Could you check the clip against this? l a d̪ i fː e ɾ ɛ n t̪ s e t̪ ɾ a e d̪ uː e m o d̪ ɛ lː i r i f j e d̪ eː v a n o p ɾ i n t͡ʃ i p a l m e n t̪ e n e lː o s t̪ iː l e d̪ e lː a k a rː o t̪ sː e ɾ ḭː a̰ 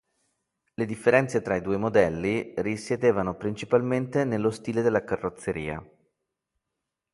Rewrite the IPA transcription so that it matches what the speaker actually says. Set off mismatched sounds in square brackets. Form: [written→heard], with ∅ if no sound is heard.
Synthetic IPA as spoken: l [a→e] d̪ i fː e ɾ ɛ n t̪ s e t̪ ɾ a [e→i] d̪ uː e m o d̪ ɛ lː i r i [f→s] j e d̪ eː v a n o p ɾ i n t͡ʃ i p a l m e n t̪ e n e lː o s t̪ iː l e d̪ e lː a k a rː o t̪ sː e ɾ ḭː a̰

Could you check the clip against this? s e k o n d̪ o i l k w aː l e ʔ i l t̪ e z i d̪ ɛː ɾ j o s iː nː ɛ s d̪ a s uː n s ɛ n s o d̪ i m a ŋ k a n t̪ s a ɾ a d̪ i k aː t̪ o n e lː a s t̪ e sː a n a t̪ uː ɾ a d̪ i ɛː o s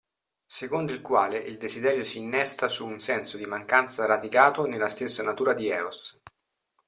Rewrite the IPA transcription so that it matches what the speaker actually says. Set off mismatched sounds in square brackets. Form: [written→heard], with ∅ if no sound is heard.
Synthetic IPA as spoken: s e k o n d̪ o i l k w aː l e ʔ i l [t̪→d̪] e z i d̪ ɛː ɾ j o s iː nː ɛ s [d̪→t̪] a s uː n s ɛ n s o d̪ i m a ŋ k a n t̪ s a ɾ a d̪ i k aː t̪ o n e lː a s t̪ e sː a n a t̪ uː ɾ a d̪ i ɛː o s

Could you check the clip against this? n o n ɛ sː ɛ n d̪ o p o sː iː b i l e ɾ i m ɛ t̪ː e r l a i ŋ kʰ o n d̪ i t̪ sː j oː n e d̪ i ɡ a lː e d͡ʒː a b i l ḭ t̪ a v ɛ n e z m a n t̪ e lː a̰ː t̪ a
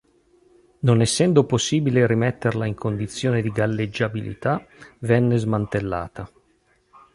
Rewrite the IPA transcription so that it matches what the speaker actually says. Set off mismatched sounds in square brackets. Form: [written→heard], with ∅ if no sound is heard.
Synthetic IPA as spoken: n o n ɛ sː ɛ n d̪ o p o sː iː b i l e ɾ i m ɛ t̪ː e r l a i ŋ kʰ o n d̪ i t̪ sː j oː n e d̪ i ɡ a lː e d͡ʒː a b i l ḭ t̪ a v ɛ [n→nː] e z m a n t̪ e lː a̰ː t̪ a

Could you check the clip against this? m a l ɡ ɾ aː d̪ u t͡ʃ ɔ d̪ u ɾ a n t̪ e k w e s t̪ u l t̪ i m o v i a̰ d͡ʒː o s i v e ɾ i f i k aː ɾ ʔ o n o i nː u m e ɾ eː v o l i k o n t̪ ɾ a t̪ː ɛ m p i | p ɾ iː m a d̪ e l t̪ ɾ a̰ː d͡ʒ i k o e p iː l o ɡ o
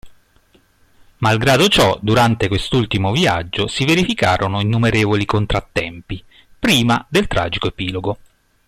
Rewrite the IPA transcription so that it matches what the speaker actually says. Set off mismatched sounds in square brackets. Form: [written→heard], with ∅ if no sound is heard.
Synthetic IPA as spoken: m a l ɡ ɾ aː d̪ [u→o] t͡ʃ ɔ d̪ u ɾ a n t̪ e k w e s t̪ u l t̪ i m o v i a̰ d͡ʒː o s i v e ɾ i f i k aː ɾ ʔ o n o i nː u m e ɾ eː v o l i k o n t̪ ɾ a t̪ː ɛ m p i | p ɾ iː m a d̪ e l t̪ ɾ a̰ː d͡ʒ i k o e p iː l o ɡ o

